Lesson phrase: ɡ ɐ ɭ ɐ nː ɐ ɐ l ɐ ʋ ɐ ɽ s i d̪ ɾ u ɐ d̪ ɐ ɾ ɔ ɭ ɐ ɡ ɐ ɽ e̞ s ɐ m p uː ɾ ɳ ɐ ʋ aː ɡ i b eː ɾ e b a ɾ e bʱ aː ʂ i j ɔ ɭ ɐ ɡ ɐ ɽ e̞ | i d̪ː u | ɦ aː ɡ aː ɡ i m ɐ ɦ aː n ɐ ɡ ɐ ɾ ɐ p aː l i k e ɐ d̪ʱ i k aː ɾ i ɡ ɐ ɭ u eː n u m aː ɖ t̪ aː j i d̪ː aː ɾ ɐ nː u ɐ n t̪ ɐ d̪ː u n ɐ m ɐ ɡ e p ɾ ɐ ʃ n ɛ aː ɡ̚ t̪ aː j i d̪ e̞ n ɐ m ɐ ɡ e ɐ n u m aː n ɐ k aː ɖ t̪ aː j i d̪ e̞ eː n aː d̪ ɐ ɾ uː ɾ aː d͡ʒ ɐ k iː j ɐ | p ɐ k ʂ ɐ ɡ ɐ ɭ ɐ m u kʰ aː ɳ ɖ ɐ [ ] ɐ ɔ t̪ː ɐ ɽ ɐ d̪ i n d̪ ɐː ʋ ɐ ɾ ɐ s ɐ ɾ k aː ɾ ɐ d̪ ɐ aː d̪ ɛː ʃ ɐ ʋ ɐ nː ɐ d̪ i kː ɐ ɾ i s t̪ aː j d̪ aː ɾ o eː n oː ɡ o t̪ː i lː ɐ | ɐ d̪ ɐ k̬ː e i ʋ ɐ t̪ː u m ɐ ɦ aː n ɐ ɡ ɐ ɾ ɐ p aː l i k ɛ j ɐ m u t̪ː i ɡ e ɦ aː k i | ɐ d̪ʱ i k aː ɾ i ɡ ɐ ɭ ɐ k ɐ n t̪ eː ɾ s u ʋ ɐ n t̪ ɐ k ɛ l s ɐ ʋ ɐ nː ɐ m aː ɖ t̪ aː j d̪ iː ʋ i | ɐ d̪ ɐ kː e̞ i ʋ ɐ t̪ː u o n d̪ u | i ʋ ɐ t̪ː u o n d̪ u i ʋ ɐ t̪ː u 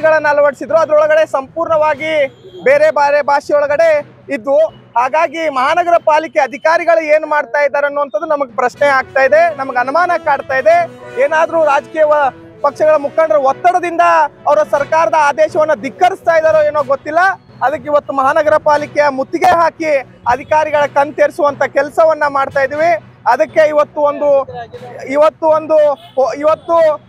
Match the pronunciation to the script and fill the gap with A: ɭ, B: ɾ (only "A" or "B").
B